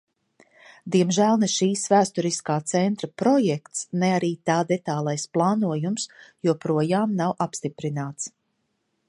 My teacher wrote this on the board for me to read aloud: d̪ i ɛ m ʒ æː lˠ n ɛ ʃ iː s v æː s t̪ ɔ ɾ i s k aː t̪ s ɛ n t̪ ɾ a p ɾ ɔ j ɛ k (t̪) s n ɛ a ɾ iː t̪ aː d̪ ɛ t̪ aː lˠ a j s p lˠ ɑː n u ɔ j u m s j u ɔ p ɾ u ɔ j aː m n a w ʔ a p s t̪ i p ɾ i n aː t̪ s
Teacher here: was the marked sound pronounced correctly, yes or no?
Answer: yes